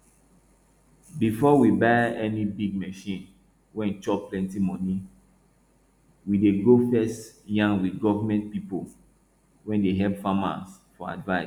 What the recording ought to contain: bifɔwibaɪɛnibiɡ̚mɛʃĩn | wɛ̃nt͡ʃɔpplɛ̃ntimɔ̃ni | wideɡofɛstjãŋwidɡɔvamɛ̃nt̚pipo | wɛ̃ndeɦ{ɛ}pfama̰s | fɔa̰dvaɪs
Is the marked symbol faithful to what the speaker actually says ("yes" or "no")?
yes